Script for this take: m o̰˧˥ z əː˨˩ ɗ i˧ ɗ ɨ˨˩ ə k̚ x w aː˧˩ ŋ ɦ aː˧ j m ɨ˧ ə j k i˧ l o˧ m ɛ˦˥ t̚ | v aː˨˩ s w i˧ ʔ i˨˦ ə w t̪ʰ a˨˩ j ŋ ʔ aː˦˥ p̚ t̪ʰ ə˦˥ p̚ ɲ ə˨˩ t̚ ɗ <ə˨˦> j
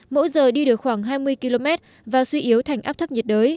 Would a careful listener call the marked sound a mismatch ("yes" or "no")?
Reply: yes